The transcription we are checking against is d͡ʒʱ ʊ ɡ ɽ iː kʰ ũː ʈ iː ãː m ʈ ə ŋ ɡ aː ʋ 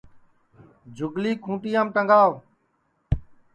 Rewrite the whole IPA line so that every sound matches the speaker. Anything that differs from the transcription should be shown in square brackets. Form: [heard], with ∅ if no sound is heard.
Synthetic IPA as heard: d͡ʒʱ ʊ ɡ [l] iː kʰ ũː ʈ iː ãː m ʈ ə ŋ ɡ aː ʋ